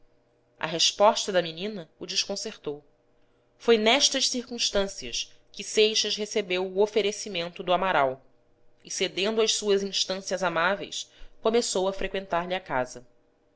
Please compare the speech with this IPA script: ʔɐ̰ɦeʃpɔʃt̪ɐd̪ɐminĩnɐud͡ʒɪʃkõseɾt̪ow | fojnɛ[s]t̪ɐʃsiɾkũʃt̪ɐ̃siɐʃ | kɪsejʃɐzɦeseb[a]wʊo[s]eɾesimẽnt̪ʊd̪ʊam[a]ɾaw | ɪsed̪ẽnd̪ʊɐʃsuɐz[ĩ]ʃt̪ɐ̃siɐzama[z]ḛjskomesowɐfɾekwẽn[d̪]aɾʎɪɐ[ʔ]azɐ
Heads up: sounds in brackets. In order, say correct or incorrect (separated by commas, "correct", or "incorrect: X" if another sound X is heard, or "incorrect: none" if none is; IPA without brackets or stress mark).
incorrect: ʃ, incorrect: e, incorrect: f, correct, correct, incorrect: v, incorrect: t̪, incorrect: k